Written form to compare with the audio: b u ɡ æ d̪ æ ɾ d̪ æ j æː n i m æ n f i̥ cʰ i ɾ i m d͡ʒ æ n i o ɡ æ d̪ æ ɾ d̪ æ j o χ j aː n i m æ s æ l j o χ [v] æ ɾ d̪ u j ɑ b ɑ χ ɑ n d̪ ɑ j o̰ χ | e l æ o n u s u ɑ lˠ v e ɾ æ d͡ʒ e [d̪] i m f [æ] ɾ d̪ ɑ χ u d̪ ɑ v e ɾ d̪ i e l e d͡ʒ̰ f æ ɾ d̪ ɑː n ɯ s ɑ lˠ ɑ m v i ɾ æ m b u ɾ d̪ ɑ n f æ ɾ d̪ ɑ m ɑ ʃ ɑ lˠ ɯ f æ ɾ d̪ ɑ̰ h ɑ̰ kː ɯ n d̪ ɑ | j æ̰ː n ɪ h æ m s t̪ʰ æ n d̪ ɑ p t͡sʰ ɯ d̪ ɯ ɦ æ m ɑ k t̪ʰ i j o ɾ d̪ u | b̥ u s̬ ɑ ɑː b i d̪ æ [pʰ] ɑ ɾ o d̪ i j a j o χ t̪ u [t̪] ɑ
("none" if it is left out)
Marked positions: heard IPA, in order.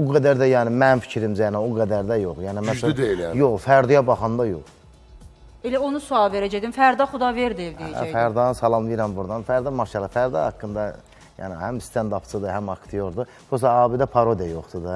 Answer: f, d̪, æ, pʰ, d̪

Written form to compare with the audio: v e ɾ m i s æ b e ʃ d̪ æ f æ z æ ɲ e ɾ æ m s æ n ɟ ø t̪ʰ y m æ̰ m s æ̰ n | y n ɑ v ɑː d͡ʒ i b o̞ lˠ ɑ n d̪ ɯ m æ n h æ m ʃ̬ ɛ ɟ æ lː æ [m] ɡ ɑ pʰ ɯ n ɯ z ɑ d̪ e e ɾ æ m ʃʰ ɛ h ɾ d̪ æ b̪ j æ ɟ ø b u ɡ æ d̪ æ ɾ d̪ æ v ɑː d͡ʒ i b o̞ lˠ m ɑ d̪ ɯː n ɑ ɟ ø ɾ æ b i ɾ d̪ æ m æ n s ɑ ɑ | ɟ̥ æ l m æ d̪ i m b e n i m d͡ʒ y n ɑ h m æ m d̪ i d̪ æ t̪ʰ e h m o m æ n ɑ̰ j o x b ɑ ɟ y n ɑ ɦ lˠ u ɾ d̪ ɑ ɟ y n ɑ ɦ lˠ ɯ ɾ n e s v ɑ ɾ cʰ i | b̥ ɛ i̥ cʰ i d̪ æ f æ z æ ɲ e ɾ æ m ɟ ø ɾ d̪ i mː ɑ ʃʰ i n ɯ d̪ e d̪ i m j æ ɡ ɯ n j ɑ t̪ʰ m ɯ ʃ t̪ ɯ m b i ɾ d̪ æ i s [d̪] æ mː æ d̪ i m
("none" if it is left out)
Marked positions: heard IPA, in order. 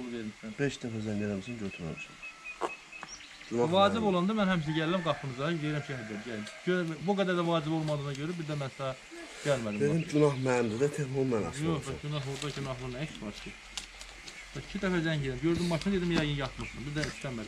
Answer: m, t̪

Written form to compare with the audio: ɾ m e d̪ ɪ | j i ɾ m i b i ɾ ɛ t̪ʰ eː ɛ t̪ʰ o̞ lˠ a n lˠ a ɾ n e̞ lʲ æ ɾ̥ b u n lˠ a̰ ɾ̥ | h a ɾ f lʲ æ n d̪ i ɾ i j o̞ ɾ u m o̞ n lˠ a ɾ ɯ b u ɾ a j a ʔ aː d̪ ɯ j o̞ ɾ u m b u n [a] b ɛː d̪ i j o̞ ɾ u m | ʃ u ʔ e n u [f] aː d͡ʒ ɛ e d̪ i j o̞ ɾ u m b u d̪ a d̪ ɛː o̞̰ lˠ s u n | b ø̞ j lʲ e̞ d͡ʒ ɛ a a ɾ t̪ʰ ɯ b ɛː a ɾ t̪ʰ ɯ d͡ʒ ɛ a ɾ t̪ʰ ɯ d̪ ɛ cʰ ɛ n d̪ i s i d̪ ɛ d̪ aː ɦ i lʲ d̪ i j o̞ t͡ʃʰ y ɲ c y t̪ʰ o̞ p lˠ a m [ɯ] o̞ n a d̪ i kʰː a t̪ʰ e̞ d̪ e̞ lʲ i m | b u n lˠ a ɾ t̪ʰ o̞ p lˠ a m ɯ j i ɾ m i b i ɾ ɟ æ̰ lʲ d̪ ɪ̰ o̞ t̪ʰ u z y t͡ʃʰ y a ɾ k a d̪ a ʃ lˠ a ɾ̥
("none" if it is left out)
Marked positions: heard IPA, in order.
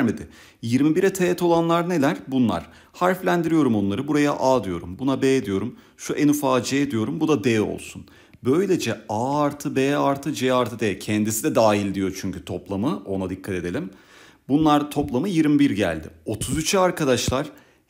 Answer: a, f, ɯ

